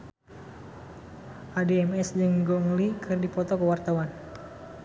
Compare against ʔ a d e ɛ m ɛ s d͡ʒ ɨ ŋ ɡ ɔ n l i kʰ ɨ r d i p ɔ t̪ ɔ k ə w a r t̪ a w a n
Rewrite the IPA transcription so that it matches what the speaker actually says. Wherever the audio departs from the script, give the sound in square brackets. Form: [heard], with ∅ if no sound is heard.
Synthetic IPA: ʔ a d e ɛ m ɛ s d͡ʒ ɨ ŋ ɡ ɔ [ŋ] l i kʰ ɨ r d i p ɔ t̪ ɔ k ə w a r t̪ a w a n